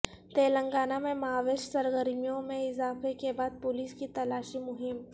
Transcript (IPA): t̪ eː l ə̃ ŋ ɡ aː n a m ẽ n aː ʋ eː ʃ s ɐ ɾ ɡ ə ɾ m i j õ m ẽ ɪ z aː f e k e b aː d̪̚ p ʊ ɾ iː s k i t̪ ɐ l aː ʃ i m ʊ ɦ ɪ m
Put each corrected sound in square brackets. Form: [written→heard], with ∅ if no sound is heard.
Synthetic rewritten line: t̪ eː l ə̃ ŋ ɡ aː n a m ẽ [n→m] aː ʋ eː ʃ s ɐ ɾ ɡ ə ɾ m i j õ m ẽ ɪ z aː f e k e b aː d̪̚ p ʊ [ɾ→l] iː s k i t̪ ɐ l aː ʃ i m ʊ ɦ ɪ m